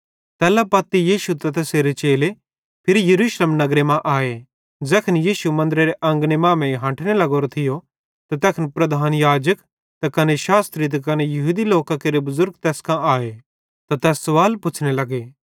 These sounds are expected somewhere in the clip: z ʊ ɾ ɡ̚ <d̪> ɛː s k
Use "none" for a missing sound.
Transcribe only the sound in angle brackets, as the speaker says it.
t̪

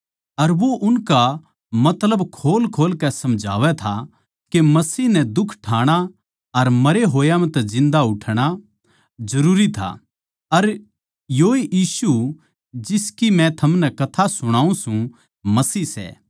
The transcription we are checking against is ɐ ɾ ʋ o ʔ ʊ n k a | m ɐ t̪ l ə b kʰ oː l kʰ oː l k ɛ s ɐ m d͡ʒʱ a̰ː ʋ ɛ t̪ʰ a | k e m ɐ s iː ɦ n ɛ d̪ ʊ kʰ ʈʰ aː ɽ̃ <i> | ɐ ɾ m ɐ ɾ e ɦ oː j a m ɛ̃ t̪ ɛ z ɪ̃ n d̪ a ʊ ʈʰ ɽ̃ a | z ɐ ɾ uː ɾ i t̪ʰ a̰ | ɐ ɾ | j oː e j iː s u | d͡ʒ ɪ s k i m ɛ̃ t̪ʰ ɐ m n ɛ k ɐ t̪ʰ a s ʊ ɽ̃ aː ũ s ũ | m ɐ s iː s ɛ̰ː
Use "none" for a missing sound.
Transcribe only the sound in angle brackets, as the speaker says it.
a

